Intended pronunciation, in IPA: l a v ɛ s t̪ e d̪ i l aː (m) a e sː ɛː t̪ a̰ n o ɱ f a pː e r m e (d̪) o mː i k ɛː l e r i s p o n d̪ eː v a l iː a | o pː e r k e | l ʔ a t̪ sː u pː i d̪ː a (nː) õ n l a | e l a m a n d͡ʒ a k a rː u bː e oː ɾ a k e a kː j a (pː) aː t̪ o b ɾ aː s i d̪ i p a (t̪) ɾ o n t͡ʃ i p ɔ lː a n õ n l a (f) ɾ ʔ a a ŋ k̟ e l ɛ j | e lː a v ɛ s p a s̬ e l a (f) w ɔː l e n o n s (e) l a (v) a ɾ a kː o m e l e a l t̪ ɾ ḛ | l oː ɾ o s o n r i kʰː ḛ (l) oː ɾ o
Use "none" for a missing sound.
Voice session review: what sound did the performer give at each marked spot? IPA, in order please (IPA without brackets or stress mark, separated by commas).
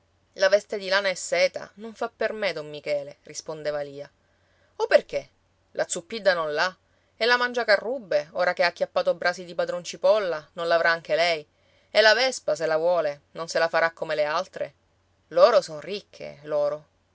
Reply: n, d̪, n, pː, d̪, v, v, e, f, l